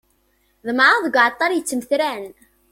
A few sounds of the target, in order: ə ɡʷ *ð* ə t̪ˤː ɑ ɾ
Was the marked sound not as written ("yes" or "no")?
yes